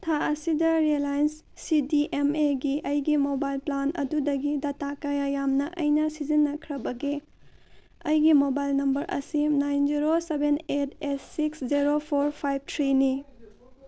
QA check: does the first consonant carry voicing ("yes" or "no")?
no